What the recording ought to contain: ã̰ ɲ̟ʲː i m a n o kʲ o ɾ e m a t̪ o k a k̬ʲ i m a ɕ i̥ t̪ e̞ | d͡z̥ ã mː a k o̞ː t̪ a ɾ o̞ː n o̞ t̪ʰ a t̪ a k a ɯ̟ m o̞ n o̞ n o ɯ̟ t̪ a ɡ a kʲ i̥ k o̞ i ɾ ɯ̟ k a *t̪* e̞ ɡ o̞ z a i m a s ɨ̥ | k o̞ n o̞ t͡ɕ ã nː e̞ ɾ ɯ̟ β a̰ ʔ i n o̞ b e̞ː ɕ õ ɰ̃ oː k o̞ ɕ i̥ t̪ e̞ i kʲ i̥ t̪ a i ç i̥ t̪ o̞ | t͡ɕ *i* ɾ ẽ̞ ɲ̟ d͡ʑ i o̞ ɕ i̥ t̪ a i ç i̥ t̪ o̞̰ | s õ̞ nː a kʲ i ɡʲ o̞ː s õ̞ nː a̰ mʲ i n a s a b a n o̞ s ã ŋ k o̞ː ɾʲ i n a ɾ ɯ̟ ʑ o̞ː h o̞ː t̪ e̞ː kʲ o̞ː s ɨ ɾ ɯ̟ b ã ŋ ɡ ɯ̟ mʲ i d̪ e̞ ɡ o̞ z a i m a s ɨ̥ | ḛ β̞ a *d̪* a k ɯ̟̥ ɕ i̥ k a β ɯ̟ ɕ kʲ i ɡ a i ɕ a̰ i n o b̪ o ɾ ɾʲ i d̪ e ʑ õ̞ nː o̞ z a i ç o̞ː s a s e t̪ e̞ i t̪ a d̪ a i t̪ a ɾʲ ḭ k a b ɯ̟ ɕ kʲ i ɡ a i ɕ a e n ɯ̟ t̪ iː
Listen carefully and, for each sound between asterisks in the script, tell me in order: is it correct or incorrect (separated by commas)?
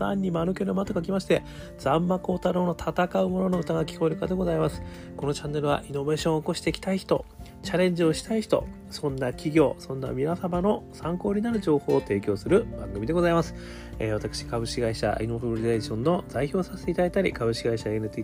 incorrect, incorrect, incorrect